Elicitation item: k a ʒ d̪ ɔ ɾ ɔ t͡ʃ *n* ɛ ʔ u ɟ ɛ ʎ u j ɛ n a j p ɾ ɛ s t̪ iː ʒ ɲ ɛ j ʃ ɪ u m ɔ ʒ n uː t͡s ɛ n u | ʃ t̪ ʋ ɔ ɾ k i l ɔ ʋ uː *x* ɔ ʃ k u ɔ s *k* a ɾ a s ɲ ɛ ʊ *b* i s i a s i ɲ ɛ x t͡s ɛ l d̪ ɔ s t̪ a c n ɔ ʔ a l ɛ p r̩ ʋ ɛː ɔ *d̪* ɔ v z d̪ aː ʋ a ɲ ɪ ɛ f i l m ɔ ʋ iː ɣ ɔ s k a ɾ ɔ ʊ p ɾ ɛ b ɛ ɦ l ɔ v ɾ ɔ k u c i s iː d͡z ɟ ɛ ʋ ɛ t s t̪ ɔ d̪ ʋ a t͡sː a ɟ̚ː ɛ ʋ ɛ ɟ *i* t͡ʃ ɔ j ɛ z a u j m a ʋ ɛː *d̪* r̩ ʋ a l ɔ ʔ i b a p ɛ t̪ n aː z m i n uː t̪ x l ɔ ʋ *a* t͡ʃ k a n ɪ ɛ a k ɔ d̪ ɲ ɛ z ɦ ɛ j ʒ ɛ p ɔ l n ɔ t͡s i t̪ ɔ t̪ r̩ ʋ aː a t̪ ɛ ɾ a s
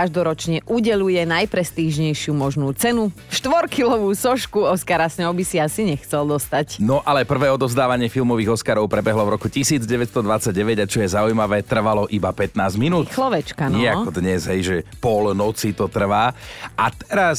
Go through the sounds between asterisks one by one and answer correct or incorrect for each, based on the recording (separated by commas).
incorrect, incorrect, correct, correct, correct, incorrect, incorrect, incorrect